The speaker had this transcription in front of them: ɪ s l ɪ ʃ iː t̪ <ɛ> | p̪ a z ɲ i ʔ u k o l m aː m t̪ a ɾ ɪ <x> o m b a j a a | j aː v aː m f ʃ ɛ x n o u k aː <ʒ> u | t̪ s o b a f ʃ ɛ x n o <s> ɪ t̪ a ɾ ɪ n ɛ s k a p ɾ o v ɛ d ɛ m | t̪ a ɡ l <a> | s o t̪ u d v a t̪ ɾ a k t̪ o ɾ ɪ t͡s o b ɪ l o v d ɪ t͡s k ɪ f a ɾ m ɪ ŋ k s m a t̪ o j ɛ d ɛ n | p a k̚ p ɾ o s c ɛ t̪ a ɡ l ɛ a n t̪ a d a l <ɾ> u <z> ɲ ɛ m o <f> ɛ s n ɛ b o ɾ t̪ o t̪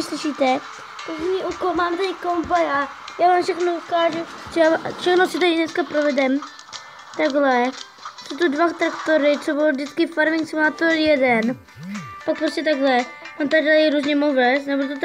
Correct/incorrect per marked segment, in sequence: correct, incorrect, correct, correct, incorrect, correct, correct, incorrect

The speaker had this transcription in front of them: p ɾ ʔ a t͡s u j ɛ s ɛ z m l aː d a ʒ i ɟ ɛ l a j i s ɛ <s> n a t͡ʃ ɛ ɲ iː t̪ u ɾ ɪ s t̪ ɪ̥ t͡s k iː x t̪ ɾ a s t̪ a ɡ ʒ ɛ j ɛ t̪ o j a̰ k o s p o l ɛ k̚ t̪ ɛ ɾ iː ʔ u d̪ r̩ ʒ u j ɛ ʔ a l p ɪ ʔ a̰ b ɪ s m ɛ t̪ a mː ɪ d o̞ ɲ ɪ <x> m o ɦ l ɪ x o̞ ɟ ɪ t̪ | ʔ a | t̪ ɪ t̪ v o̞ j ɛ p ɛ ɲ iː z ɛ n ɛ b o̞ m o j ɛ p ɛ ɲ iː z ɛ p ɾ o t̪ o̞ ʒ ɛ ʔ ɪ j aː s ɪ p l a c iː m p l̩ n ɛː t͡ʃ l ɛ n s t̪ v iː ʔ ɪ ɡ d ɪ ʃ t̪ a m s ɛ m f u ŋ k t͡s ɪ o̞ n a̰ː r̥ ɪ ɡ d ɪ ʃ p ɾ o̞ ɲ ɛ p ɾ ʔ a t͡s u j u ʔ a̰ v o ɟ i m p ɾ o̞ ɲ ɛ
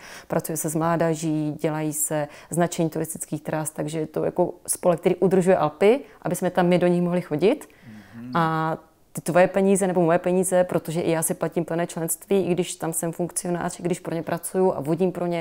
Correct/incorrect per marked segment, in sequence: incorrect, correct

